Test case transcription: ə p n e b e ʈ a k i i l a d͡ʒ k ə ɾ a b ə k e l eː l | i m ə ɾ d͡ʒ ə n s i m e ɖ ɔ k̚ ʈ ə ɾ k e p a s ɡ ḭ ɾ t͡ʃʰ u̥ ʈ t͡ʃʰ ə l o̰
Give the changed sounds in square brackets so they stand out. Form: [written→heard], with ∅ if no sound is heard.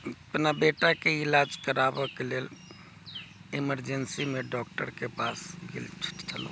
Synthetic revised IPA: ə p n [e→a] b e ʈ a k [i→e] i l a d͡ʒ k ə ɾ a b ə k e l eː l | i m ə ɾ d͡ʒ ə n s i m e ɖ ɔ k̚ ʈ ə ɾ k e p a s ɡ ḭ [ɾ→l] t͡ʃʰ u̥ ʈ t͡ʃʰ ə l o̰